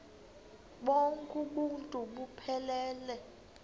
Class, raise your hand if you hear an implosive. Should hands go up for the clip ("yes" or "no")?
yes